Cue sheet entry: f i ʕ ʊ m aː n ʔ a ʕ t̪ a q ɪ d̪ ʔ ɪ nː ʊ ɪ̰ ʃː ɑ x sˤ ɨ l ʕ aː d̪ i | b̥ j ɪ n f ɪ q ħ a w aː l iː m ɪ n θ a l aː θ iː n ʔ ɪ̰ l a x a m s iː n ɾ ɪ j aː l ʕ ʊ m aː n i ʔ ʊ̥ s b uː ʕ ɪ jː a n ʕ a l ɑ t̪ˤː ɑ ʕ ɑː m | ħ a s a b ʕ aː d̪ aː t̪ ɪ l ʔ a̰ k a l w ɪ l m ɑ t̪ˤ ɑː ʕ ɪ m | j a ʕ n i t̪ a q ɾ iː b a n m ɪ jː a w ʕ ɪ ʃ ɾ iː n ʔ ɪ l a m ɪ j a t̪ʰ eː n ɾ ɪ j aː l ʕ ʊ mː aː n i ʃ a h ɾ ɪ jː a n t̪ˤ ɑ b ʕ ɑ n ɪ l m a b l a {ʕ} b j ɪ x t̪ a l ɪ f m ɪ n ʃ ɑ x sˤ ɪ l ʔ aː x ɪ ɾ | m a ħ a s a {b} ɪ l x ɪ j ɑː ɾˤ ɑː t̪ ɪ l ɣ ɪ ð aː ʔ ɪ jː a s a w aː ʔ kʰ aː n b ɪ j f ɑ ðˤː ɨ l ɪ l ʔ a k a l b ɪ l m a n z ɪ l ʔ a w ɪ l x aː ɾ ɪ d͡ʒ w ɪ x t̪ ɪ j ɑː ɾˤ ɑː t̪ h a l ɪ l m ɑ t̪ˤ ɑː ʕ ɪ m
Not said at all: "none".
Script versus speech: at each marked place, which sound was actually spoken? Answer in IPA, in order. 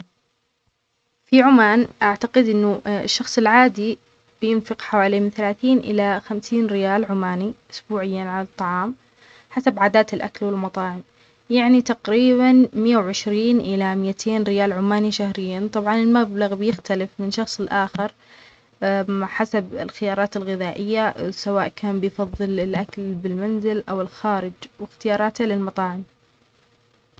ɣ, b

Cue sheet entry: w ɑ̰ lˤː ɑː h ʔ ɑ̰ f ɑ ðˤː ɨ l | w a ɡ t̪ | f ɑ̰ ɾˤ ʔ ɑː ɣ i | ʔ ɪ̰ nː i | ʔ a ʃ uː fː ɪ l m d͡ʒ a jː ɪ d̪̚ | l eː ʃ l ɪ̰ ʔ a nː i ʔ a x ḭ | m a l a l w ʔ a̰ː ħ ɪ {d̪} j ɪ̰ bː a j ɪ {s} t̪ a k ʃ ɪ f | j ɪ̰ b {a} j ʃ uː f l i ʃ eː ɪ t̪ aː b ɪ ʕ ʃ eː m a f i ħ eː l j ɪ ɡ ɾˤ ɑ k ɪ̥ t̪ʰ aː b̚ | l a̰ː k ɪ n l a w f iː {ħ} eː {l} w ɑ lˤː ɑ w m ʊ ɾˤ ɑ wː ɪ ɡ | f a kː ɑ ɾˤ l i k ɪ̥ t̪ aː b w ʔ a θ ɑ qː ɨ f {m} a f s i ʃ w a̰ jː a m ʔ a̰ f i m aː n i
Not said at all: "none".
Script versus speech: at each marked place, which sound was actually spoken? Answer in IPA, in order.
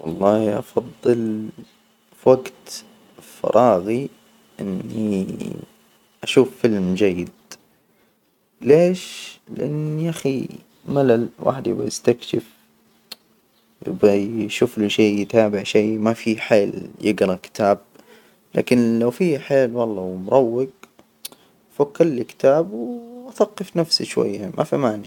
d̪, s, a, ħ, l, n

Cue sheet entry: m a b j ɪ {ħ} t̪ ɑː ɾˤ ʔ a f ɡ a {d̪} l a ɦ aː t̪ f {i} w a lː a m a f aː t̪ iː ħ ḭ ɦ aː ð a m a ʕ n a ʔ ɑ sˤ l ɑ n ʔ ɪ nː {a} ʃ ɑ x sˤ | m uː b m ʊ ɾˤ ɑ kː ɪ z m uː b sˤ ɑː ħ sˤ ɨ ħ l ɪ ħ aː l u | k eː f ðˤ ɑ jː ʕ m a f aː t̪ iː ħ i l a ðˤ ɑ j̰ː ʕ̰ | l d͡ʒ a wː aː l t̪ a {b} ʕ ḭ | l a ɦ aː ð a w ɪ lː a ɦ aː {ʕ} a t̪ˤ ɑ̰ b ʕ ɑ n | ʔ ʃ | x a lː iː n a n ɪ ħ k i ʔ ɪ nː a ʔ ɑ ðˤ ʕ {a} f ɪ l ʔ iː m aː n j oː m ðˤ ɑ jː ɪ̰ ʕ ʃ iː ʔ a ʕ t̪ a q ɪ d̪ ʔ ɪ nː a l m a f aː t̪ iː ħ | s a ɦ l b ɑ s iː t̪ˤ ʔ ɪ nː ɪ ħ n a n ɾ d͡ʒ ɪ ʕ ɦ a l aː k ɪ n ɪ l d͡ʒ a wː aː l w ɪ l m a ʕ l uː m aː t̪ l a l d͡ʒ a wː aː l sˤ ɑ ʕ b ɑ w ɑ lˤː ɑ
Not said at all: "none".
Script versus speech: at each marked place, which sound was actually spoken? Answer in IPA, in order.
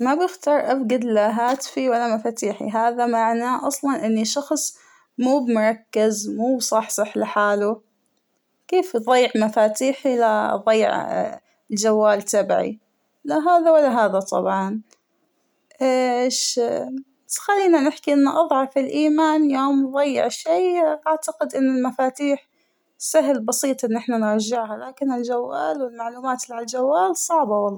x, d̪, i, i, b, ð, ɑ

